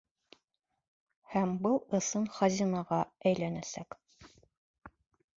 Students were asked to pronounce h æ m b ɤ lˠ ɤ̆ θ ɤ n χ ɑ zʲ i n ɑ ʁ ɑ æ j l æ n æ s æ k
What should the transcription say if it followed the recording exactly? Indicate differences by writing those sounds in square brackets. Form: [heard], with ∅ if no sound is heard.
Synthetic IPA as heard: h æ m b ɤ lˠ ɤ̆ [s] ɤ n χ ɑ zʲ i n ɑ ʁ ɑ æ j l æ n æ s æ k